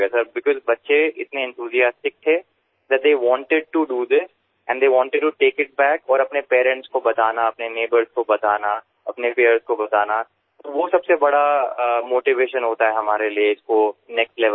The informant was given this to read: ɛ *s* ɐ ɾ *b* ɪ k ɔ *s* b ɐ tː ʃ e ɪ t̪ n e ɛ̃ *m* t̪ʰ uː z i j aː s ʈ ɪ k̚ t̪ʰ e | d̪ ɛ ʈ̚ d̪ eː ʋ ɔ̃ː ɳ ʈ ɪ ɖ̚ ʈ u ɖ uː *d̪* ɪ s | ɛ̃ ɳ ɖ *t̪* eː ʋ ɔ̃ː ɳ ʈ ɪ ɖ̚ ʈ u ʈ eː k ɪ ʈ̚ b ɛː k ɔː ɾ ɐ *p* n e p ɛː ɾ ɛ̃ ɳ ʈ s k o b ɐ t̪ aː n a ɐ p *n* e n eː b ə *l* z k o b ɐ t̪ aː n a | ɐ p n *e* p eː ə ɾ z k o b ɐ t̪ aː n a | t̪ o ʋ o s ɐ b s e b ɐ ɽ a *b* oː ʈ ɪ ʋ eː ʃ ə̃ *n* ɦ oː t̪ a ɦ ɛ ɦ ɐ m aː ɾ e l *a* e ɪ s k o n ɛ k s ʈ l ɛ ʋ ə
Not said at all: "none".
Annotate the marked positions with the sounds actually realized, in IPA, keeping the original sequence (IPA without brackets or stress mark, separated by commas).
s, b, z, n, d̪, d̪, p, n, ɾ, e, m, n, i